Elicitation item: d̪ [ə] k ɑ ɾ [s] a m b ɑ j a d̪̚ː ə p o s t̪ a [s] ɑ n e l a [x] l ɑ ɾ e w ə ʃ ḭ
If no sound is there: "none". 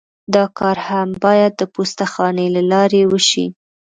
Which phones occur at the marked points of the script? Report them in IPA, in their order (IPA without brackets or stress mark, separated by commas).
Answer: ɑ, h, x, none